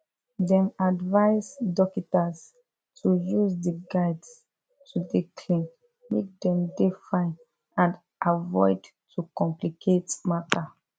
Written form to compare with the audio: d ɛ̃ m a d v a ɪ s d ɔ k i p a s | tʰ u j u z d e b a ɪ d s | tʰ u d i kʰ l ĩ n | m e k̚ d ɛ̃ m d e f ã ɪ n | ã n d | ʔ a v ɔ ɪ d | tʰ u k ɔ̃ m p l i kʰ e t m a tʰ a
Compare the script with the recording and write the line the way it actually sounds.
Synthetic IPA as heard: d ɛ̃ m a d v a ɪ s d ɔ k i t a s | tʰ u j u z d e ɡ a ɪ d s | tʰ u d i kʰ l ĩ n | m e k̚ d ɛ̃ m d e f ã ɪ n | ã n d | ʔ a v ɔ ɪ d | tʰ u k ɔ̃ m p l i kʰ e t m a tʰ a